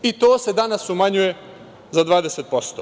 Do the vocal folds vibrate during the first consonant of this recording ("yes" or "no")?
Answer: no